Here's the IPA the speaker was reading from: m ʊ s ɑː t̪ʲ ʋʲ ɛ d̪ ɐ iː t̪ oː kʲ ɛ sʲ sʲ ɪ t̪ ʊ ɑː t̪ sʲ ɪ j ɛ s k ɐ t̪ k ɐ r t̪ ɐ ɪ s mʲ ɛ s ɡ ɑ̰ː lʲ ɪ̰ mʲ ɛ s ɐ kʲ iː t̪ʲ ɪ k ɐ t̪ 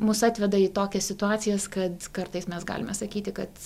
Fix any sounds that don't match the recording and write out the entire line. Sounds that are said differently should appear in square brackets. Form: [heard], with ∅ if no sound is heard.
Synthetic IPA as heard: m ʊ s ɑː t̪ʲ ʋʲ ɛ d̪ ɐ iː t̪ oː kʲ ɛ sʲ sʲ ɪ t̪ ʊ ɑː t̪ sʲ ɪ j ɛ s k ɐ t̪ k ɐ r t̪ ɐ ɪ s mʲ ɛ s ɡ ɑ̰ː lʲ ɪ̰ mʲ ɛ s ɐ kʲ iː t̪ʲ ɪ k ɐ t̪